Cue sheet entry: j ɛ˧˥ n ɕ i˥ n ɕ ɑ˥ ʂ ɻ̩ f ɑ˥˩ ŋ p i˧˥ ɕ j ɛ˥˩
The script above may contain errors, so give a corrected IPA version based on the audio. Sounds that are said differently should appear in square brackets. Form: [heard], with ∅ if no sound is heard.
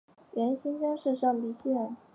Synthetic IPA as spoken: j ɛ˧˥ n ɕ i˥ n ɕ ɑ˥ ʂ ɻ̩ [ʂ] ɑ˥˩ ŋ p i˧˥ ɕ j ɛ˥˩

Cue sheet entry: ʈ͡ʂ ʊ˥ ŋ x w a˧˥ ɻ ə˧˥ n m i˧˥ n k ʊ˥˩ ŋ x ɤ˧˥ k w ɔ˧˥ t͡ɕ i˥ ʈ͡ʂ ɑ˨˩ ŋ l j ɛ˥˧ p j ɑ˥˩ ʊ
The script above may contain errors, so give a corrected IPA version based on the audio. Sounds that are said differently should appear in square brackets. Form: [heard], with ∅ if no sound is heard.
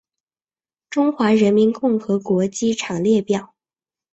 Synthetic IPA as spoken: ʈ͡ʂ ʊ˥ ŋ x w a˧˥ ɻ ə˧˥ n m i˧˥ n k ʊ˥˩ ŋ x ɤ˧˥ k w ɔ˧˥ t͡ɕ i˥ [ʈ͡ʂʰ] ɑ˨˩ ŋ l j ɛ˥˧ p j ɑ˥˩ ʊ

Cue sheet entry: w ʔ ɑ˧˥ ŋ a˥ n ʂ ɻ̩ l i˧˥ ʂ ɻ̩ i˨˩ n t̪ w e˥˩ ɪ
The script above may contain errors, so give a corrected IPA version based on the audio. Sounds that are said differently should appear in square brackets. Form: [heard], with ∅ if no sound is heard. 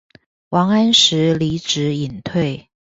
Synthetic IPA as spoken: w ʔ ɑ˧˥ ŋ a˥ n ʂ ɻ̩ l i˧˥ [ʈ͡ʂ] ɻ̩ i˨˩ n [t̪ʰ] w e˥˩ ɪ

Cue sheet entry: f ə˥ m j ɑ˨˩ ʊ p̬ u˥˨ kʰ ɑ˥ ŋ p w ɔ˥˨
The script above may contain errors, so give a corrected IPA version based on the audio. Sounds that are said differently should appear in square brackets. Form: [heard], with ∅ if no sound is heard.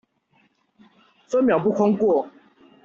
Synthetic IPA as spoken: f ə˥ m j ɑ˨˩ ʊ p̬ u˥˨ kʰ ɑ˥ ŋ [k] w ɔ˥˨

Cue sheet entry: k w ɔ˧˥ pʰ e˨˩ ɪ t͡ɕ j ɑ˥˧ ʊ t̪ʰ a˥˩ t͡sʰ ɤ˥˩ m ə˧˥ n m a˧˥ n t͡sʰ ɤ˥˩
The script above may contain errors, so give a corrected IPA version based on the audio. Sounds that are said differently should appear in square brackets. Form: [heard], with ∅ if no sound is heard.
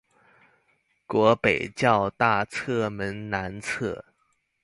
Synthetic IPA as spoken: k w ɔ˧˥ [p] e˨˩ ɪ t͡ɕ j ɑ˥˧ ʊ [t̪] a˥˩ t͡sʰ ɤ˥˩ m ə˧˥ n [n] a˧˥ n t͡sʰ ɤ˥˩

